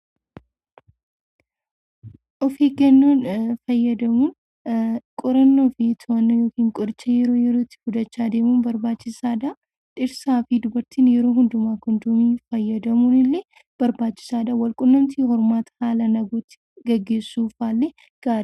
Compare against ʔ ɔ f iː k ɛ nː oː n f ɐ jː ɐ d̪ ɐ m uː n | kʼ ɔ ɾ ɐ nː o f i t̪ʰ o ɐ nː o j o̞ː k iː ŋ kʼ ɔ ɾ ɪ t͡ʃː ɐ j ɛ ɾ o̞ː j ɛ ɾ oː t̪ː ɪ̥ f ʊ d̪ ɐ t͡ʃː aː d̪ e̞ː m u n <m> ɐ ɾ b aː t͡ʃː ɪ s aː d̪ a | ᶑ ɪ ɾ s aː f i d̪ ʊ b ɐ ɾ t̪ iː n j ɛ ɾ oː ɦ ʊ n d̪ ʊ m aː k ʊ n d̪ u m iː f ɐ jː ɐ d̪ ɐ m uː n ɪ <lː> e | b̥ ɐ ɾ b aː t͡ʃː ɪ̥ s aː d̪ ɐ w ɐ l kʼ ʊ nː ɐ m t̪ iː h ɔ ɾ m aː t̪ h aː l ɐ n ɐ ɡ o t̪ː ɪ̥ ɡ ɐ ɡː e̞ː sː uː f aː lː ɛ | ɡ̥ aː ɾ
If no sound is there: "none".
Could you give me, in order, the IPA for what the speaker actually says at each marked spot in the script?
b, lː

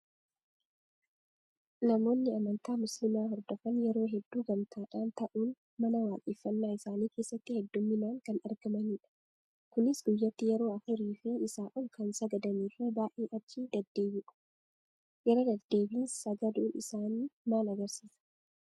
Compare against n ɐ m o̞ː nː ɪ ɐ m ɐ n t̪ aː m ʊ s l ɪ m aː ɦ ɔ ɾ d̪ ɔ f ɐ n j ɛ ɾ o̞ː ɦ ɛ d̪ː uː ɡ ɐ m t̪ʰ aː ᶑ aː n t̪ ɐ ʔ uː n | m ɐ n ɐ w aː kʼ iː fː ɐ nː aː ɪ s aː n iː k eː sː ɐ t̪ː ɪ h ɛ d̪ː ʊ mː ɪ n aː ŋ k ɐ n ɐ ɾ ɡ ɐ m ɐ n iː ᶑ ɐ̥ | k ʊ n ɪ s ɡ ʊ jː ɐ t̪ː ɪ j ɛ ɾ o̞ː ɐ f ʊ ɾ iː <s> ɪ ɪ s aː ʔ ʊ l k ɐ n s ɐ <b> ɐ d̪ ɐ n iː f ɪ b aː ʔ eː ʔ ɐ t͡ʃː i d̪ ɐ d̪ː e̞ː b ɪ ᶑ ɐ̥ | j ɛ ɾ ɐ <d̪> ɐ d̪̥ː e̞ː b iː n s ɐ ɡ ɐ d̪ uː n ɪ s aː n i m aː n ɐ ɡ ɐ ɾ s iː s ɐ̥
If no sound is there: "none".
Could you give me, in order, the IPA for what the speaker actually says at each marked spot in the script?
f, ɡ, d̪

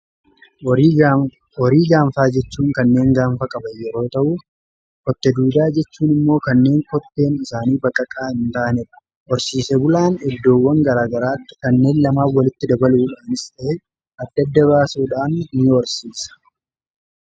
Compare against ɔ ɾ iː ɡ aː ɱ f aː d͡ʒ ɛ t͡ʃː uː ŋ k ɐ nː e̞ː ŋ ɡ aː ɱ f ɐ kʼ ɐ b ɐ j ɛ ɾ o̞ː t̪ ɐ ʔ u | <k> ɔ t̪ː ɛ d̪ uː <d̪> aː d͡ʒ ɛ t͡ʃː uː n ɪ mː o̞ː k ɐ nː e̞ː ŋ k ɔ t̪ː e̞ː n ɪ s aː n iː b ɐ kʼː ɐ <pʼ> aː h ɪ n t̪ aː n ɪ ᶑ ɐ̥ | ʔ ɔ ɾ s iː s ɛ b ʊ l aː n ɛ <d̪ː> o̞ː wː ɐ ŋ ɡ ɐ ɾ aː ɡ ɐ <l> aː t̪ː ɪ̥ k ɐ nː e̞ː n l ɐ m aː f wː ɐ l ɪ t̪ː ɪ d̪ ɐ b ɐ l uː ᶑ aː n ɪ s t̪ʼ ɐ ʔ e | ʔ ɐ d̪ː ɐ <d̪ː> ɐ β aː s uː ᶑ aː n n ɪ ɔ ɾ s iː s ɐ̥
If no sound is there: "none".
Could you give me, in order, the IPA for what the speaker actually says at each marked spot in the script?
k, d̪, kʼ, d̪ː, ɾ, d̪ː

